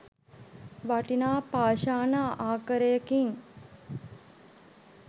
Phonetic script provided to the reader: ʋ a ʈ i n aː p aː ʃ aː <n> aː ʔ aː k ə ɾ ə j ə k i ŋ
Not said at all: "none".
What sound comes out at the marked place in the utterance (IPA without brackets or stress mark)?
n